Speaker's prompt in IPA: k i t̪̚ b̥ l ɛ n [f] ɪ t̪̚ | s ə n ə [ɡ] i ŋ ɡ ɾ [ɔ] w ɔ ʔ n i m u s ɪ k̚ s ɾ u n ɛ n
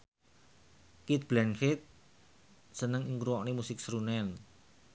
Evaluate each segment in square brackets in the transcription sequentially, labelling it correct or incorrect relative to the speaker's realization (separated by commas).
correct, incorrect, incorrect